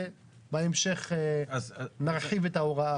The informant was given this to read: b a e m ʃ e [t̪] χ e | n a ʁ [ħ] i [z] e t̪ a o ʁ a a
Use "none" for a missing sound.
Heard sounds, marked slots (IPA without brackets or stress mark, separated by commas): none, ħ, v